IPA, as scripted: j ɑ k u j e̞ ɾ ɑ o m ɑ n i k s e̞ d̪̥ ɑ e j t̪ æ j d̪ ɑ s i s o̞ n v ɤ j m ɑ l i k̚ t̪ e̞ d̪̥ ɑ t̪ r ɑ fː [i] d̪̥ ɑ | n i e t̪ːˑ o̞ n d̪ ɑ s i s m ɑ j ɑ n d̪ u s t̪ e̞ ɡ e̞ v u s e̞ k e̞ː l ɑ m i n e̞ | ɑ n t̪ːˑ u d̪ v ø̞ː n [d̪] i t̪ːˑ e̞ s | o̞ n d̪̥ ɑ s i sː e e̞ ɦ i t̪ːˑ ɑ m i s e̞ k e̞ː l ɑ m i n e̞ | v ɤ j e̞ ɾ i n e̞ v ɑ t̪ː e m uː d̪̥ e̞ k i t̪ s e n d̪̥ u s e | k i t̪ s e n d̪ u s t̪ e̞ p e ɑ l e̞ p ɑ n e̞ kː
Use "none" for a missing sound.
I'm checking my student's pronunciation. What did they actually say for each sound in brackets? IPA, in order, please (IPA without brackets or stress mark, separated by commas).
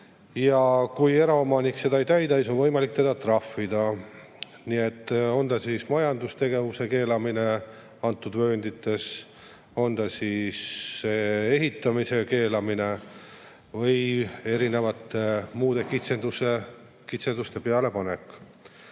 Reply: i, d̪